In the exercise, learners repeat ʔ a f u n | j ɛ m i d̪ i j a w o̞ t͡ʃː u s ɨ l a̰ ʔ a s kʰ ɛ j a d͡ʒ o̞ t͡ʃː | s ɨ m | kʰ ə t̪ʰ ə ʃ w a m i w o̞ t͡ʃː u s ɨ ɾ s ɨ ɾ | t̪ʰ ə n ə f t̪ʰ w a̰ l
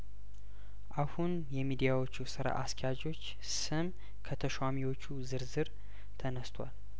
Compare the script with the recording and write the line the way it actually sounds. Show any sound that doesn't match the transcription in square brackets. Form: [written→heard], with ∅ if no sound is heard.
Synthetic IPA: ʔ a [f→h] u n | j ɛ m i d̪ i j a w o̞ t͡ʃː u s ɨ [l→ɾ] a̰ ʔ a s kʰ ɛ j a d͡ʒ o̞ t͡ʃː | s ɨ m | kʰ ə t̪ʰ ə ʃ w a m i w o̞ t͡ʃː u [s→z] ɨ ɾ [s→z] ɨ ɾ | t̪ʰ ə n ə [f→s] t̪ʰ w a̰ l